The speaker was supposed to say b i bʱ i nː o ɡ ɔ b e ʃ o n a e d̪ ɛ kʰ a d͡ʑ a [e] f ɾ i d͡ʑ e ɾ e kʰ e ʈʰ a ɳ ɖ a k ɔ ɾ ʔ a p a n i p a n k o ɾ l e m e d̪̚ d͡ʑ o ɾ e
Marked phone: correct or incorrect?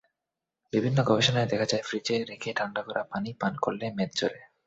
correct